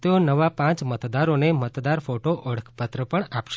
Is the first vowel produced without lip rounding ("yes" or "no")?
yes